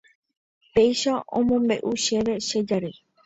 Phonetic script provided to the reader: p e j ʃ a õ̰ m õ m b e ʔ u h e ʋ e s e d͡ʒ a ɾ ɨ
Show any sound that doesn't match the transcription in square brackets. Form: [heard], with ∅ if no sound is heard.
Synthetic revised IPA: p e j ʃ a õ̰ m õ m b e ʔ u [ʃ] e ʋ e [ʃ] e d͡ʒ a ɾ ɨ